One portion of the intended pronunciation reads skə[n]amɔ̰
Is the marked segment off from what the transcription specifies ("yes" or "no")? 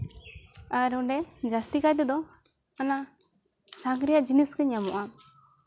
yes